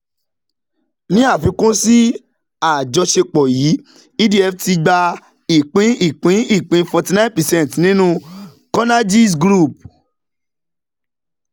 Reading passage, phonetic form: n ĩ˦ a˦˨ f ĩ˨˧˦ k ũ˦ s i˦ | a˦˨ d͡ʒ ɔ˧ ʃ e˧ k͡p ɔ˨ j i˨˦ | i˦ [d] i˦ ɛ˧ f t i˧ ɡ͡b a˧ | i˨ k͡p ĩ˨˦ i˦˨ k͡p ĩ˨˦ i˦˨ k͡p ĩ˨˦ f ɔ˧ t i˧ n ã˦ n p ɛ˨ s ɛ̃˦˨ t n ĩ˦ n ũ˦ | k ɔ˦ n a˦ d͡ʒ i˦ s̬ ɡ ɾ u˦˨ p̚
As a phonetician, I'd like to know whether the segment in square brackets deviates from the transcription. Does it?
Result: no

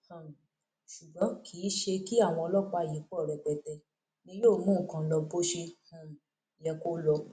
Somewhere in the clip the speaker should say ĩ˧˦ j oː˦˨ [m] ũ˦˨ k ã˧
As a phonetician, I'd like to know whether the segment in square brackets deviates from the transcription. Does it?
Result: no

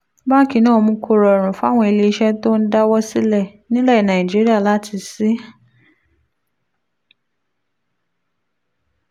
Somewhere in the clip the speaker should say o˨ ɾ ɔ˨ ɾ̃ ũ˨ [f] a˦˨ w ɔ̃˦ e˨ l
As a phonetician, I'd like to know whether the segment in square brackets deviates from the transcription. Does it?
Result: no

